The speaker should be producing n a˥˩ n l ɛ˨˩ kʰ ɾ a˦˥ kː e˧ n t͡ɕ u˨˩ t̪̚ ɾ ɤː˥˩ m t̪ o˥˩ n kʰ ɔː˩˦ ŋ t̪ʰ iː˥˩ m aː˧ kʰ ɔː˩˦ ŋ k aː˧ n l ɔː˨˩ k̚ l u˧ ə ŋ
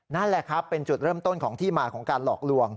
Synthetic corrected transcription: n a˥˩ n l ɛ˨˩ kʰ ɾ a˦˥ pː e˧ n t͡ɕ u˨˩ t̪̚ ɾ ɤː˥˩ m t̪ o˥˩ n kʰ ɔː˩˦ ŋ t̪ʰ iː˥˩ m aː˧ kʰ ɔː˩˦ ŋ k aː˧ n l ɔː˨˩ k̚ l u˧ ə ŋ